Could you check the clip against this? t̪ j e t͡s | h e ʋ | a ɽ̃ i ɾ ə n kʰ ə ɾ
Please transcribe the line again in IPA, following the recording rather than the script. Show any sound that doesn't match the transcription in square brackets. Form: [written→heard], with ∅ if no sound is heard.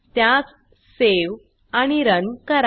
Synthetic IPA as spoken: t̪ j [e→a] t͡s | [h→s] e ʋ | a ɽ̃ i ɾ ə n [kʰ→k] ə ɾ